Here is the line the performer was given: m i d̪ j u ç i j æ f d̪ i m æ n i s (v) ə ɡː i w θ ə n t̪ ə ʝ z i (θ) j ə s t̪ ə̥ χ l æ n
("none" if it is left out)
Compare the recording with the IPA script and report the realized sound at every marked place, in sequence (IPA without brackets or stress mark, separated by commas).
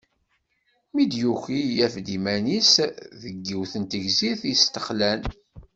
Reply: ð, θ